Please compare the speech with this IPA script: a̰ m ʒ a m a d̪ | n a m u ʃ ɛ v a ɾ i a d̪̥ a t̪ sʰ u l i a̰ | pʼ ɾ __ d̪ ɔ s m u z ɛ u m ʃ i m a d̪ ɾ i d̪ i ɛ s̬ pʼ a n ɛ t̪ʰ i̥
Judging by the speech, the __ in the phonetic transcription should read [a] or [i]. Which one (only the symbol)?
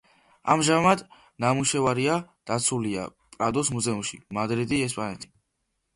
a